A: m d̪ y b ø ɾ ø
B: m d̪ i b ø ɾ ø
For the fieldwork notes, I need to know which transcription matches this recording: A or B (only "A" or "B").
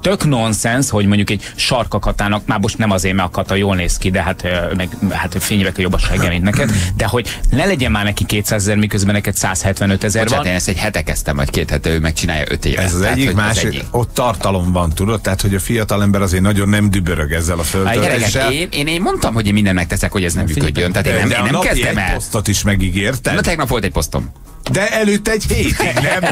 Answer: A